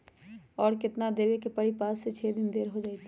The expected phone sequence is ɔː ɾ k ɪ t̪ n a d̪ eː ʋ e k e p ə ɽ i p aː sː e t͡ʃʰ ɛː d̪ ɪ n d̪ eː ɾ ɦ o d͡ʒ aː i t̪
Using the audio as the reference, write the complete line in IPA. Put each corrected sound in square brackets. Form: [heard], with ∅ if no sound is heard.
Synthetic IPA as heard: ɔː ɾ k ɪ t̪ n a d̪ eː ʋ e k e p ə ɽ i p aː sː e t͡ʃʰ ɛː d̪ ɪ n d̪ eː ɾ ɦ o d͡ʒ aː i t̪